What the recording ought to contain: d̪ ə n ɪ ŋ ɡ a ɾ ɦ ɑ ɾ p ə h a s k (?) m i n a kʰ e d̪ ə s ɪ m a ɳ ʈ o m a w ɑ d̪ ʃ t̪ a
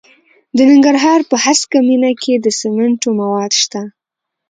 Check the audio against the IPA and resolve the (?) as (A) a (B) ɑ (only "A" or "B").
A